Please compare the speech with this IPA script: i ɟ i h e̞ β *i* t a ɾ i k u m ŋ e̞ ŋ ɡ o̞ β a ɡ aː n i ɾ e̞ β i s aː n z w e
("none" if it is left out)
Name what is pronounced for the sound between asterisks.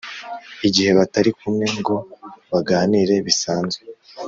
a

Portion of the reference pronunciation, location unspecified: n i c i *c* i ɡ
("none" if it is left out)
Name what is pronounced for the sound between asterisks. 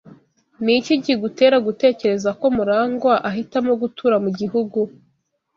ɟ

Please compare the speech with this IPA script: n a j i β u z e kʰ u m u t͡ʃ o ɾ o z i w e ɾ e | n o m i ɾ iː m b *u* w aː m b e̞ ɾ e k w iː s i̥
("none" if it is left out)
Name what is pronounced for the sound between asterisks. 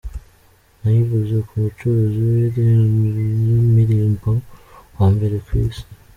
o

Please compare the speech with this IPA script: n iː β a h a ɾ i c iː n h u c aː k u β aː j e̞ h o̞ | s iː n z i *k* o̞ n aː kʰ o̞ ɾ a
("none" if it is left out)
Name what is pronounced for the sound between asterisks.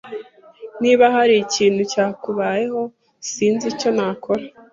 c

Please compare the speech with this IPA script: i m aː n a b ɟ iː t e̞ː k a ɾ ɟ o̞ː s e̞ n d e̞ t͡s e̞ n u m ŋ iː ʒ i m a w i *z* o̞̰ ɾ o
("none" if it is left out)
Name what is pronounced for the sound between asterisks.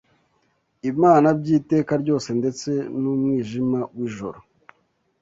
ʒ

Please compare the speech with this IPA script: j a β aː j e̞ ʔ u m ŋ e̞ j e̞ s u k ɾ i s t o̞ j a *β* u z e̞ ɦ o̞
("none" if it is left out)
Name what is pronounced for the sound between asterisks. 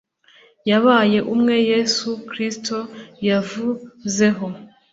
v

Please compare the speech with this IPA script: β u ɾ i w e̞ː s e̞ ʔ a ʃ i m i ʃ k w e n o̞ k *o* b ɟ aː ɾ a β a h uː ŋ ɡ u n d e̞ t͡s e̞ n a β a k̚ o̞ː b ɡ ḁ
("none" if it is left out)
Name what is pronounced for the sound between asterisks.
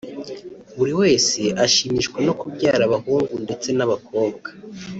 u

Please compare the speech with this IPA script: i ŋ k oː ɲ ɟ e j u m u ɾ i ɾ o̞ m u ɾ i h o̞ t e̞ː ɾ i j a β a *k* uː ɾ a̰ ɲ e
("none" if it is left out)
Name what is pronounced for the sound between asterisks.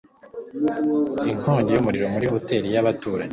t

